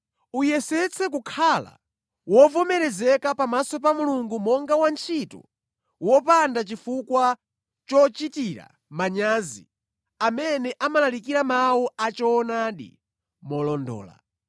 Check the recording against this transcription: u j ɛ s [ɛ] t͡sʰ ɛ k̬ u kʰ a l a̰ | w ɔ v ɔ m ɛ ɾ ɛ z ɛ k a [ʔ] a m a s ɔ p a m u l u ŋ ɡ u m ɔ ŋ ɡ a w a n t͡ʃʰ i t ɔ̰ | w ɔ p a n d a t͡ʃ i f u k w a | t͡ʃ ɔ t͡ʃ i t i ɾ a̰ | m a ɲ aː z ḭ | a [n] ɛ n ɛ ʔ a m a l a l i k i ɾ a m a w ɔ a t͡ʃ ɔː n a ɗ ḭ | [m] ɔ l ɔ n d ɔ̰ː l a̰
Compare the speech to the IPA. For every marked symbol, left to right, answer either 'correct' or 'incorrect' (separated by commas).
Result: correct, incorrect, incorrect, correct